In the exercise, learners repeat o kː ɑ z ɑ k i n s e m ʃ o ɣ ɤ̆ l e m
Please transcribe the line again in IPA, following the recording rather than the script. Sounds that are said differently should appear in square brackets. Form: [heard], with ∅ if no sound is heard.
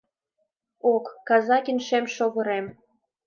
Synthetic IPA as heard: o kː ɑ z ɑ k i n [ʃ] e m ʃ o ɣ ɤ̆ [ɾ] e m